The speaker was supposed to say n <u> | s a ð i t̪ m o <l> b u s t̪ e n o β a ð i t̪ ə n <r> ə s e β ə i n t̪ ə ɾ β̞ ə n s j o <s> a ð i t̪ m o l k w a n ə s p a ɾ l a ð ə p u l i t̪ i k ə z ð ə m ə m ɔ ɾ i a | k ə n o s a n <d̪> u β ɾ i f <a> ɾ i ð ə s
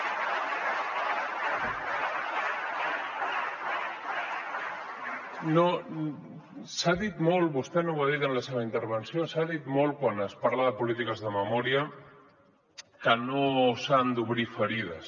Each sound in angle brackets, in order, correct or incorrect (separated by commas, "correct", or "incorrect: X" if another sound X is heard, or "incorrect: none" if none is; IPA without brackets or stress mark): incorrect: o, correct, incorrect: l, correct, correct, incorrect: ə